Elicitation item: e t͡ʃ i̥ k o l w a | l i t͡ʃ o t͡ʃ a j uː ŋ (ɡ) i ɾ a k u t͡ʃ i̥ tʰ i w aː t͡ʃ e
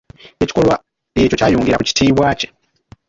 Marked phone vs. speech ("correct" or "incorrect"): correct